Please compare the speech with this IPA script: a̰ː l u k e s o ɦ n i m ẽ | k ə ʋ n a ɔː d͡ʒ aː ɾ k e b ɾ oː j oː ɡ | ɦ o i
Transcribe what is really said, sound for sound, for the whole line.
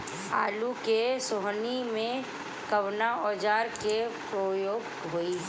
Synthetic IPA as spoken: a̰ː l u k e s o ɦ n i m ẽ | k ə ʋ n a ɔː d͡ʒ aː ɾ k e p ɾ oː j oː ɡ | ɦ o i